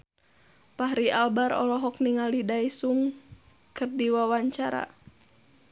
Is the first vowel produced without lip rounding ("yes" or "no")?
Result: yes